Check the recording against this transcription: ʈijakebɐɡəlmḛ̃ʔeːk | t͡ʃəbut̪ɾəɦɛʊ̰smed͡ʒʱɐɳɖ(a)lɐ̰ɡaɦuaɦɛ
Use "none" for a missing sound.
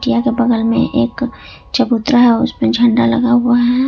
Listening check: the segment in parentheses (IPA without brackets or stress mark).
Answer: a